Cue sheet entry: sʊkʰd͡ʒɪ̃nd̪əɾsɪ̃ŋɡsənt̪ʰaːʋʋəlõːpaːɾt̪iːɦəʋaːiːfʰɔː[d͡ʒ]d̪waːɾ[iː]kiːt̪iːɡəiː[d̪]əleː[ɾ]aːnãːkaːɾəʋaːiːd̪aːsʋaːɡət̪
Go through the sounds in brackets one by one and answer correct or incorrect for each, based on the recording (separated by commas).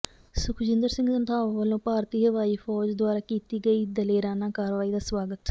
correct, incorrect, correct, correct